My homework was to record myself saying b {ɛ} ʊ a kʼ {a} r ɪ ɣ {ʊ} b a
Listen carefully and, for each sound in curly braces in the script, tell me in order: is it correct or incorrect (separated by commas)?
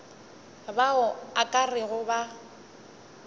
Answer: incorrect, correct, correct